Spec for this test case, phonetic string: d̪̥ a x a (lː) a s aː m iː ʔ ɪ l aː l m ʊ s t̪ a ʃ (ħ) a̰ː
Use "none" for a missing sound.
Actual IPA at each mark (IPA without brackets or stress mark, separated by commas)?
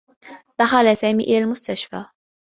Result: l, f